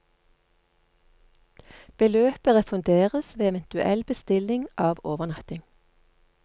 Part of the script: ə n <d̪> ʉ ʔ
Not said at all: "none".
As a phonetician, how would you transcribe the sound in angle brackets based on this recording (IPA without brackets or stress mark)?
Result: t̪